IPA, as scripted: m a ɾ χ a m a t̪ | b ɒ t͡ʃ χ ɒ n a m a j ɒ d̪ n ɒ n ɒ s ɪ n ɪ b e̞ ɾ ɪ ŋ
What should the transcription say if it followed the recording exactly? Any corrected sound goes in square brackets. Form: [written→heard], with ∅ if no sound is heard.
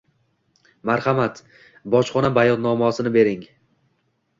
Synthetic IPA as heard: m a ɾ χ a m a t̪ | b ɒ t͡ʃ χ ɒ n a [m→b] a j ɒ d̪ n ɒ [n→m] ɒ s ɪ n ɪ b e̞ ɾ ɪ ŋ